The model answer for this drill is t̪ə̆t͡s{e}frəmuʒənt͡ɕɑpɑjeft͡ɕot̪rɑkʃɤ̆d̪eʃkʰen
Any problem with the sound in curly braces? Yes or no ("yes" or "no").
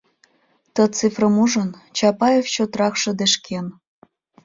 yes